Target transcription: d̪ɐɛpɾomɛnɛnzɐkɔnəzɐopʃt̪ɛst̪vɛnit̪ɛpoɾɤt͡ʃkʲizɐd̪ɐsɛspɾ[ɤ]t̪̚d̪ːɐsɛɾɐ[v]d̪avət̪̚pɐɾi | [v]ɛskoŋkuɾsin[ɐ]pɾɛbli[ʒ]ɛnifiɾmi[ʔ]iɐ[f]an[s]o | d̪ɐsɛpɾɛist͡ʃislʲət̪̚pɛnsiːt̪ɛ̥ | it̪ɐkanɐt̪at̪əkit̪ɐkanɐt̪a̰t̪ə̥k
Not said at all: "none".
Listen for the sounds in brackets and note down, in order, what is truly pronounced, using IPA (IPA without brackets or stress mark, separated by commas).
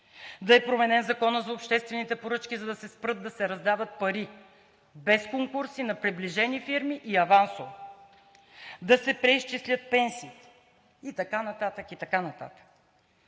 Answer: ɤ, z, b, ɐ, ʒ, ʔ, v, s